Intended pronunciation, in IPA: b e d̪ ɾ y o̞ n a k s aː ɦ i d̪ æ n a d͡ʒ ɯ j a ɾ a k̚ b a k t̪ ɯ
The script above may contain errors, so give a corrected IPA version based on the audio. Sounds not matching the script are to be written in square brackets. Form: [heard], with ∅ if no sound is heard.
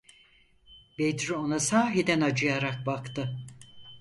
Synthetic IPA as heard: b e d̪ ɾ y o̞ n a [∅] s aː ɦ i d̪ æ n a d͡ʒ ɯ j a ɾ a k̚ b a k t̪ ɯ